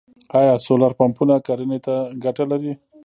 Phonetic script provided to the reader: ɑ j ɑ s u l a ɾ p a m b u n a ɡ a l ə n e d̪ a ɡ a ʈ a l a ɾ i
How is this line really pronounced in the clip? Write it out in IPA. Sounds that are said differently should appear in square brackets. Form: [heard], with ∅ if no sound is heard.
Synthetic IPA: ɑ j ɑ s [o] l a ɾ p a m [p] u n a [k] a [ɾ] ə n e [t̪] a ɡ a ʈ a l a ɾ i